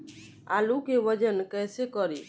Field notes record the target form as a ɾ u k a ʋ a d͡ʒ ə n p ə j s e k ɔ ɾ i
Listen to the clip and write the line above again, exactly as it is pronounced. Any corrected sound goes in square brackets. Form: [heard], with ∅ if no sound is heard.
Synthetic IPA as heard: a [l] u k [e] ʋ [ə] d͡ʒ ə n [k] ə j s e k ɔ ɾ i